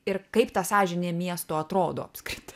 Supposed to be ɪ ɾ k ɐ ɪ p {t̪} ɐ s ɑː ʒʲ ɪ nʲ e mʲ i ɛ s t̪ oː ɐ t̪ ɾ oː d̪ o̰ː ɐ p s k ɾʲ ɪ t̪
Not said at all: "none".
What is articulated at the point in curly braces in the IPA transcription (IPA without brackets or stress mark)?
t̪